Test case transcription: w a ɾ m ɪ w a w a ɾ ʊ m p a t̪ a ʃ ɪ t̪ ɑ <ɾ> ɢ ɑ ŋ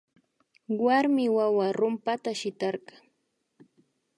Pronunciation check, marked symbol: correct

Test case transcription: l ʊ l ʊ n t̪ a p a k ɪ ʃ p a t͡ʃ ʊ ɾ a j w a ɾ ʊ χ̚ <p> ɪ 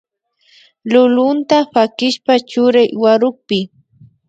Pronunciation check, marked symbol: correct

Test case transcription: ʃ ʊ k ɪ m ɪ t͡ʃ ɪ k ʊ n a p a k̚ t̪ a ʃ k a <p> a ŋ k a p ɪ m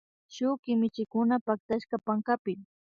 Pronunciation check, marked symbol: correct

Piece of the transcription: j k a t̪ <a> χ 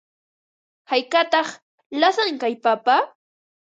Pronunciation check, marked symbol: incorrect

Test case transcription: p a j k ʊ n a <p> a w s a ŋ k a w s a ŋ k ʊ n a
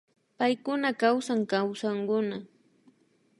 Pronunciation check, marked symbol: incorrect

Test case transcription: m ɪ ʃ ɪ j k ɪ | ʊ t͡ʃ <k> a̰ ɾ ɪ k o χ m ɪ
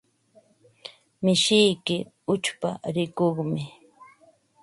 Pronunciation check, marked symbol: incorrect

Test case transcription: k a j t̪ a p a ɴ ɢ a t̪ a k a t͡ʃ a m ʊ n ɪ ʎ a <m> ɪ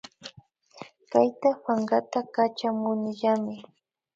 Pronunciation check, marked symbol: correct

